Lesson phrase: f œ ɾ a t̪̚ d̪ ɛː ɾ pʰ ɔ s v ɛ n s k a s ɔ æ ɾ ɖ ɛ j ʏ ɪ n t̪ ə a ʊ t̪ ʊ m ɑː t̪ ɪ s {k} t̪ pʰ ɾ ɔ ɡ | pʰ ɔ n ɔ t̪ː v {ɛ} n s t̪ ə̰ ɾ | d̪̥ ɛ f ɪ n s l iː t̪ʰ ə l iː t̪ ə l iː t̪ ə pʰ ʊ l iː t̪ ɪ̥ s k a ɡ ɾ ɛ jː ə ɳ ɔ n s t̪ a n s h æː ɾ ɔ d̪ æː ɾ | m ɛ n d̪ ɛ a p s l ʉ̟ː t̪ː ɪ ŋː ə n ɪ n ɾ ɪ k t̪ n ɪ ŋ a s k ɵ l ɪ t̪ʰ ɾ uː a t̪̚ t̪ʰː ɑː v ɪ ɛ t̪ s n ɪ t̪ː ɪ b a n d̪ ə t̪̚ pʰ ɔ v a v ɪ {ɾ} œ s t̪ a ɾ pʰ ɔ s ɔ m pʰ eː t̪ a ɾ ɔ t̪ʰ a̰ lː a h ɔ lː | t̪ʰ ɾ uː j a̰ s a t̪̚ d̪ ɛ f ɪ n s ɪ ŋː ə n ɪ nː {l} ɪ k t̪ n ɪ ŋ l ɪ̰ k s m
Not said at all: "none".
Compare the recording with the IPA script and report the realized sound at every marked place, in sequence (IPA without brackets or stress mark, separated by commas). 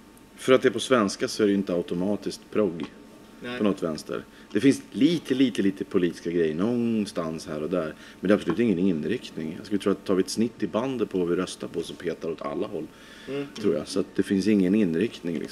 k, ɛ, ɾ, ɾ